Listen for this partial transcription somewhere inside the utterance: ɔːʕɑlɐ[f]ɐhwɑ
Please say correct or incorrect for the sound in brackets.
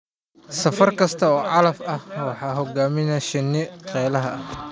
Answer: correct